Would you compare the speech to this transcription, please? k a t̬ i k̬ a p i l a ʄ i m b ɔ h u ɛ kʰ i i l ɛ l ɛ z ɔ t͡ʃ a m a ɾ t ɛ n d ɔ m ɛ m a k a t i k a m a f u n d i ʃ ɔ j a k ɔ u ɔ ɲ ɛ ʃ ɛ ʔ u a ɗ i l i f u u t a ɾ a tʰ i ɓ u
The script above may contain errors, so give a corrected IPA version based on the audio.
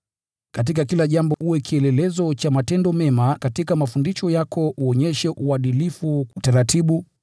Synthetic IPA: k a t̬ i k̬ a k i l a ʄ a m b ɔ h u ɛ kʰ i ɛ l ɛ l ɛ z ɔ t͡ʃ a m a t ɛ n d ɔ m ɛ m a k a t i k a m a f u n d i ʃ ɔ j a k ɔ u ɔ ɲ ɛ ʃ ɛ ʔ u a ɗ i l i f u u t a ɾ a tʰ i ɓ u